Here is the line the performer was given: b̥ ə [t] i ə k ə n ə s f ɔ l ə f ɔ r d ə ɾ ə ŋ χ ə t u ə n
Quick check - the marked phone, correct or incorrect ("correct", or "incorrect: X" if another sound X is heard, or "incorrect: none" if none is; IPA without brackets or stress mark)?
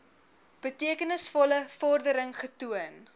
correct